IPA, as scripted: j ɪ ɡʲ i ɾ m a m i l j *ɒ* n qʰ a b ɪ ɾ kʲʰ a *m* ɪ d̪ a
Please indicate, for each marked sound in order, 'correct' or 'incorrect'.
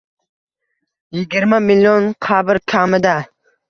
incorrect: o, correct

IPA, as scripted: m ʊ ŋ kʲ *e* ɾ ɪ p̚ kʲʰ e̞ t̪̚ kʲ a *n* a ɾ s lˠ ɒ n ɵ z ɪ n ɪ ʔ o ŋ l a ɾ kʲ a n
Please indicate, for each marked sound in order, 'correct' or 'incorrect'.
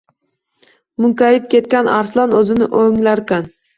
incorrect: a, correct

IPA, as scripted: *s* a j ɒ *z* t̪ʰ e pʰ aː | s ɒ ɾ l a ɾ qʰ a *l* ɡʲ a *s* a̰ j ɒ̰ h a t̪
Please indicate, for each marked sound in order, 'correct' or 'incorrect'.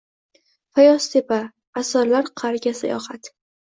incorrect: f, incorrect: s, incorrect: ɾ, correct

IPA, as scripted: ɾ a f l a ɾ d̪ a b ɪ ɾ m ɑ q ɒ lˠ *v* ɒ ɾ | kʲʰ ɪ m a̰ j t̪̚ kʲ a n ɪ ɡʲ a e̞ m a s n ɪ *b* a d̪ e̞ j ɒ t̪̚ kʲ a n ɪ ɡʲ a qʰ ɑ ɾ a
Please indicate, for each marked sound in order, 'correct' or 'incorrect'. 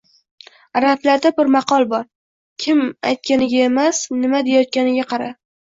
incorrect: b, incorrect: m

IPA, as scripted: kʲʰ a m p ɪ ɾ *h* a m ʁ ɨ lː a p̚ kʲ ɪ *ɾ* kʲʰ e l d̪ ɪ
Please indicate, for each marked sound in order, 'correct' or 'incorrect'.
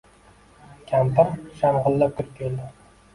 incorrect: ʃ, correct

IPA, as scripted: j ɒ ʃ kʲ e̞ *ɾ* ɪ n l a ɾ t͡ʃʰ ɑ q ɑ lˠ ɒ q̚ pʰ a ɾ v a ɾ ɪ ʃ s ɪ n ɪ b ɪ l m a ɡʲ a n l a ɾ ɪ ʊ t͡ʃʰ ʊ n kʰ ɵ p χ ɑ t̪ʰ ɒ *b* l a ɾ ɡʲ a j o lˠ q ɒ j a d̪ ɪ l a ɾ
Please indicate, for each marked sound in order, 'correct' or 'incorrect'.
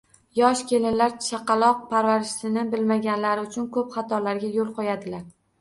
incorrect: l, incorrect: none

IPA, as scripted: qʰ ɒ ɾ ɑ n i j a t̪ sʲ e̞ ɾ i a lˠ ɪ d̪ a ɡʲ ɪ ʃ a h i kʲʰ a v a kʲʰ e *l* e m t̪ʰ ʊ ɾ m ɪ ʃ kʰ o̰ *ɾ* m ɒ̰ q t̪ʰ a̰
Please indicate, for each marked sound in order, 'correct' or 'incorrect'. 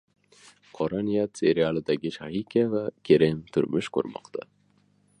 incorrect: ɾ, correct

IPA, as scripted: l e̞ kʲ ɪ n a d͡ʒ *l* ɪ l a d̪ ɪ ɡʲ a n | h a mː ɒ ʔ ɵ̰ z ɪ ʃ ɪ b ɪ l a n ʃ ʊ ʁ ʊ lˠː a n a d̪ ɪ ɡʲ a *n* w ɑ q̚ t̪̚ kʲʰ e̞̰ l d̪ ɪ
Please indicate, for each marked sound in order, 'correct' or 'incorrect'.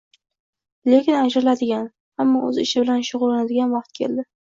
incorrect: ɾ, correct

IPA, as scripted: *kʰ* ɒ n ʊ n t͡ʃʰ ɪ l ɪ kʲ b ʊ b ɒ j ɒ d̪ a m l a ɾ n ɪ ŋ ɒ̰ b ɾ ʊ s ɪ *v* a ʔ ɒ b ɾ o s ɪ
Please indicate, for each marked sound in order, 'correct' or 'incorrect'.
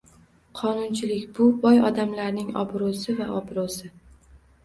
incorrect: qʰ, correct

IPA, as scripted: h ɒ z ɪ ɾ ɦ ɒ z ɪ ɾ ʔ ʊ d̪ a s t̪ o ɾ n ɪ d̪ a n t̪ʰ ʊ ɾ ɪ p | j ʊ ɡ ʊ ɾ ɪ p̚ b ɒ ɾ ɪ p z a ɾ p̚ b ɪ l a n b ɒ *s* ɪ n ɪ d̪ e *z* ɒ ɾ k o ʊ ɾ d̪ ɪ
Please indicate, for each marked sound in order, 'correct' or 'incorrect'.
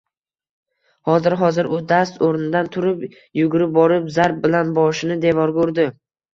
incorrect: ʃ, incorrect: v

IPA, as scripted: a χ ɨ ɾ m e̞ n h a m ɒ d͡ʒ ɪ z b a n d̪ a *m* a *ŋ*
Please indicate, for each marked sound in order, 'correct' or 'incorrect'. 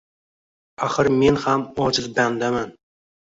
correct, incorrect: n

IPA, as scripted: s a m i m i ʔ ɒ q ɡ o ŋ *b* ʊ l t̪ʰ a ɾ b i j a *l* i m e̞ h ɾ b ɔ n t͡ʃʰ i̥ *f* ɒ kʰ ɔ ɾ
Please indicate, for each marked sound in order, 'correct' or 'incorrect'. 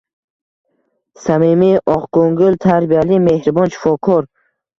incorrect: ɡ, correct, correct

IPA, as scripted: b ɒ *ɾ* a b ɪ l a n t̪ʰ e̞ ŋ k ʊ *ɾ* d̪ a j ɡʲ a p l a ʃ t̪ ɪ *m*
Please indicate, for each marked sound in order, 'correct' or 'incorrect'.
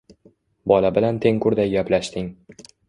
incorrect: l, correct, incorrect: ŋ

